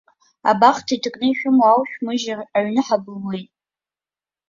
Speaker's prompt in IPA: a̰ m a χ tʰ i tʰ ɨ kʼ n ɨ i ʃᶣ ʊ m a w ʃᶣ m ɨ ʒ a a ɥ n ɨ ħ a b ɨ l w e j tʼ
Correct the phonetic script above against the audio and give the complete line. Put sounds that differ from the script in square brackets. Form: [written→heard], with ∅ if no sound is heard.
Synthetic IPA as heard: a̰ [m→b] a χ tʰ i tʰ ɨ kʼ n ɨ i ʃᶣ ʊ m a w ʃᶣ m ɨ ʒ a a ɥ n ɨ ħ a b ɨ l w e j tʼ